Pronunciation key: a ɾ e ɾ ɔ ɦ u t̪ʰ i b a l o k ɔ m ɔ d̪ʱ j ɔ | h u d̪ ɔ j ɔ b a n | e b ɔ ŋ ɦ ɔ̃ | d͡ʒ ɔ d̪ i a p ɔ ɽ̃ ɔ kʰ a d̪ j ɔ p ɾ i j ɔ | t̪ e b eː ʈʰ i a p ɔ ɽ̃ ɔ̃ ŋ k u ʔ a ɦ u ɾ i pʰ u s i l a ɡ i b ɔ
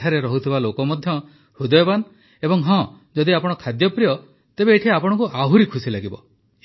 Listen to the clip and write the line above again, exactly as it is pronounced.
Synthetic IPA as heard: a ɾ e ɾ ɔ ɦ u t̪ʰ i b a l o k ɔ m ɔ d̪ʱ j ɔ | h u d̪ ɔ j ɔ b a n | e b ɔ ŋ ɦ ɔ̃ | d͡ʒ ɔ d̪ i a p ɔ ɽ̃ ɔ kʰ a d̪ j ɔ p ɾ i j ɔ | t̪ e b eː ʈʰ i a p ɔ ɽ̃ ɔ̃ ŋ k u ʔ a ɦ u ɾ i kʰ u s i l a ɡ i b ɔ